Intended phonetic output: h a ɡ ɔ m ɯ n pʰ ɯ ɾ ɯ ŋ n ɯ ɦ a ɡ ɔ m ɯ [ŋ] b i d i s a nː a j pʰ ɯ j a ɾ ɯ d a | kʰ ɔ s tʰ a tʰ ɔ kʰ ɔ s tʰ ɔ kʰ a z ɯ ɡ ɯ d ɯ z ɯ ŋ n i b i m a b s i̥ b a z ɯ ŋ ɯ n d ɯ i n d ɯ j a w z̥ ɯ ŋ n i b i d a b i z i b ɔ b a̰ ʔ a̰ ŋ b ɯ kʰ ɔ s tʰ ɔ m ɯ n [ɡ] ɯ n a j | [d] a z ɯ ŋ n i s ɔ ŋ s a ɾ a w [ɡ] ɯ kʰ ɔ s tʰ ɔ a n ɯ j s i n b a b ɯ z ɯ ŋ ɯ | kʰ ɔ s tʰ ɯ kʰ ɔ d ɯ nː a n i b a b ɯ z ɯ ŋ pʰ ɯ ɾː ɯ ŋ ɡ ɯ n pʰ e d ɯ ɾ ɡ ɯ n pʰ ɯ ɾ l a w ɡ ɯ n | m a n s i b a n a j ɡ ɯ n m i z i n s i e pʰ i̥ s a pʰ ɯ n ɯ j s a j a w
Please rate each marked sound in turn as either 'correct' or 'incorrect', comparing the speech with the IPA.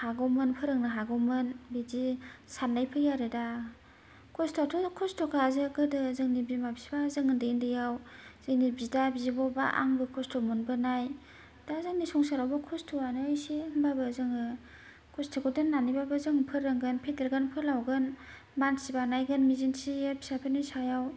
incorrect, incorrect, correct, incorrect

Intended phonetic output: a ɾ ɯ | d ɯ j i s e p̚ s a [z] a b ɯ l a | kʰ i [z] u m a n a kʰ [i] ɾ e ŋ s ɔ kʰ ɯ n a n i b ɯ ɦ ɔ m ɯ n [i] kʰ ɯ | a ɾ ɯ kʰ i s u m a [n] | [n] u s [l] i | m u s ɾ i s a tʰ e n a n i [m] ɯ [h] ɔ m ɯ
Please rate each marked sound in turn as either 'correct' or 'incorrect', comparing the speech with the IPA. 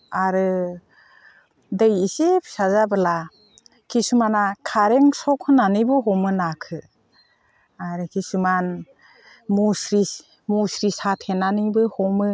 correct, incorrect, incorrect, incorrect, correct, incorrect, incorrect, incorrect, correct

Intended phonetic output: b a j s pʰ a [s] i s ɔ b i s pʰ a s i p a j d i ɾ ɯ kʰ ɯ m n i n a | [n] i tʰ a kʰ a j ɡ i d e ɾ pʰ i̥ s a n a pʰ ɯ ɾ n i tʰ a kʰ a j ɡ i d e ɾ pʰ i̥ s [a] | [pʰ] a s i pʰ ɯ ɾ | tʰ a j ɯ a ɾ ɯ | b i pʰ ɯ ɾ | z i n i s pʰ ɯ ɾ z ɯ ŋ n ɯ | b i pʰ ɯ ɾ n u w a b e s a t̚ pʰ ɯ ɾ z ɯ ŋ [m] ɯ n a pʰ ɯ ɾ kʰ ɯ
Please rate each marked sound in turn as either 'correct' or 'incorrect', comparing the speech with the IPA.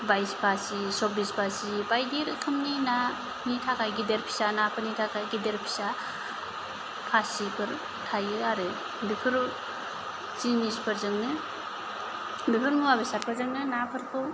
correct, correct, correct, correct, incorrect

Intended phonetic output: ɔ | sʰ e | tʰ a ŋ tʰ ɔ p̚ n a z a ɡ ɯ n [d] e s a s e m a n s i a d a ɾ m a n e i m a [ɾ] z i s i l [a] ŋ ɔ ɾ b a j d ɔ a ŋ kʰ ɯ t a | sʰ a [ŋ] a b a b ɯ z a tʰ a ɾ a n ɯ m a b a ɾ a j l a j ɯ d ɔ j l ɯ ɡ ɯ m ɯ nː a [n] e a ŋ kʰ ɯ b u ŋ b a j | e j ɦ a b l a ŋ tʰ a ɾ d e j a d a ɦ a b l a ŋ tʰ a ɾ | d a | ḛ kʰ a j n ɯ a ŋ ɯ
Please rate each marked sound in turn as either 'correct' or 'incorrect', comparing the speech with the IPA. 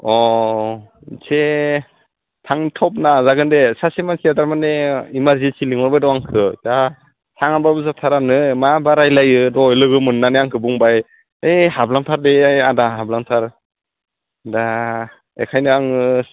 correct, correct, incorrect, correct, correct

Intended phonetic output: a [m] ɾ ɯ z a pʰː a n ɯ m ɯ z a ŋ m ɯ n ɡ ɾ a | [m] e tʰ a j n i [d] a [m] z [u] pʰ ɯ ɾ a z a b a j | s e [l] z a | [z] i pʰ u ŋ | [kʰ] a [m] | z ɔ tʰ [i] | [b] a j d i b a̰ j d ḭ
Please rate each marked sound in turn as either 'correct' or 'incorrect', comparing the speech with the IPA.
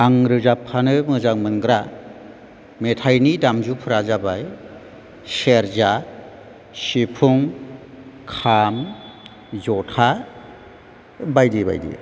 incorrect, correct, correct, correct, correct, incorrect, incorrect, correct, correct, incorrect, correct

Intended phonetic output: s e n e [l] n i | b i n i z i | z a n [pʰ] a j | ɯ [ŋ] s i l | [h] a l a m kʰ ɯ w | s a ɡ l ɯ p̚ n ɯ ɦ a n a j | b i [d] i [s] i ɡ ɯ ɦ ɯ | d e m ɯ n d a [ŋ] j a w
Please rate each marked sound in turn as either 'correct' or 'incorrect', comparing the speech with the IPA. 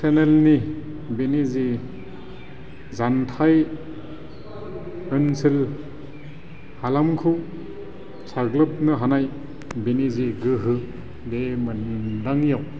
correct, incorrect, incorrect, correct, incorrect, incorrect, correct

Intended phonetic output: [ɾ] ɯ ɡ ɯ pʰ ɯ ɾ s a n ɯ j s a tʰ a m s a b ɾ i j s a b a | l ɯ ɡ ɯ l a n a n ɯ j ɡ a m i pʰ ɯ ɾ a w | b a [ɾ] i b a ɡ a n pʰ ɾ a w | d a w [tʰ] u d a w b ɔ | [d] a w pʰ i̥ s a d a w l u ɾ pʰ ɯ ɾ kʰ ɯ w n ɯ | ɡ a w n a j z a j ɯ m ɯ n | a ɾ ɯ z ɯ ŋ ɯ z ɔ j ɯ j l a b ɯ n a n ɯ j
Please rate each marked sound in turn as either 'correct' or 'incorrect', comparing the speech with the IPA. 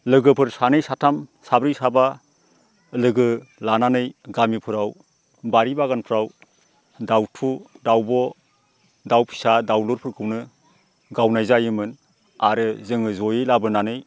incorrect, correct, correct, correct

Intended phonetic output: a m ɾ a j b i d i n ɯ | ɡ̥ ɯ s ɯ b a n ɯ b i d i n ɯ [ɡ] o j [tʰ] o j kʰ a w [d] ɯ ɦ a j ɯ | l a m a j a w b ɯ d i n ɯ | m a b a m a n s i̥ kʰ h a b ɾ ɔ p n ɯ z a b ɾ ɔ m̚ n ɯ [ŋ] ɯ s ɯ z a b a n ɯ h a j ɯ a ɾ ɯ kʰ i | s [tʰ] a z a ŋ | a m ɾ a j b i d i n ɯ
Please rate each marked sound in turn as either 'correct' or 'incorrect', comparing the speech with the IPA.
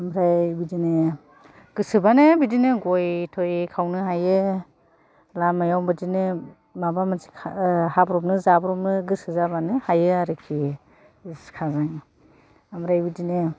correct, correct, incorrect, incorrect, incorrect

